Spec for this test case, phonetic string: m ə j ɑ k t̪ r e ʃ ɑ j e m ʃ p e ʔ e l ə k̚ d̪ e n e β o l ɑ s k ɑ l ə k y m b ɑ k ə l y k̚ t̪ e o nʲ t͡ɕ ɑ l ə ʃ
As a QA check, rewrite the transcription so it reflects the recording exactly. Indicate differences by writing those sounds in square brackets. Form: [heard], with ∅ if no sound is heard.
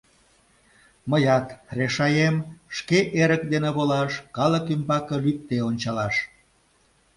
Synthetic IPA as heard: m ə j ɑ [∅] t̪ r e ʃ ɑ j e m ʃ [k] e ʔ e [ɾ] ə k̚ d̪ e n e β o l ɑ [ʃ] k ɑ l ə k y m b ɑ k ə l y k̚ t̪ e o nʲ t͡ɕ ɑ l [ɑ] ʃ